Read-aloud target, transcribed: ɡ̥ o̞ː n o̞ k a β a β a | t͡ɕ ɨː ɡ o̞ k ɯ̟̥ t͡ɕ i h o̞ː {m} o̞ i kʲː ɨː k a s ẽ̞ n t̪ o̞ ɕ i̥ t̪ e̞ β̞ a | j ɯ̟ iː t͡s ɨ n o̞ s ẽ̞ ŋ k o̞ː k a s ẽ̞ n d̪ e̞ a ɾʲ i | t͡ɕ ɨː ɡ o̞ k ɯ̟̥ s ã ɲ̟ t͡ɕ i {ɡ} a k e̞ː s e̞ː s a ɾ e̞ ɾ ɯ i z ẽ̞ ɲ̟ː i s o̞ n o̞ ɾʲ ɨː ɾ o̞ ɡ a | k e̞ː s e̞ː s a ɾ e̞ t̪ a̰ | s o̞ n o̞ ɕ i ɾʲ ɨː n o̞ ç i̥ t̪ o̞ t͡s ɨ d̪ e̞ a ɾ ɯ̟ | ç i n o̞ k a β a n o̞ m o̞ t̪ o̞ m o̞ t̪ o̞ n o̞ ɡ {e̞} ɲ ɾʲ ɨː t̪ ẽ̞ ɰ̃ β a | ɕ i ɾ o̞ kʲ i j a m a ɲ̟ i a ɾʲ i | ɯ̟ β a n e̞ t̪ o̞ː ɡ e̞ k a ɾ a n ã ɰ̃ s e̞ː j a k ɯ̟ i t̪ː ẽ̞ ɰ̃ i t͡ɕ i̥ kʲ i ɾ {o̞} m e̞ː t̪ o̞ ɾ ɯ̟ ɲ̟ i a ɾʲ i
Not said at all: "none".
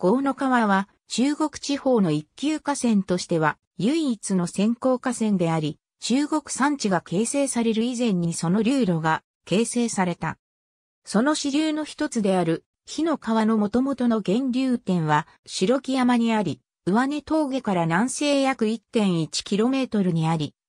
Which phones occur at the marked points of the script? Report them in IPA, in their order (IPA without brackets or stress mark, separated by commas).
n, ɡ, ẽ̞, o̞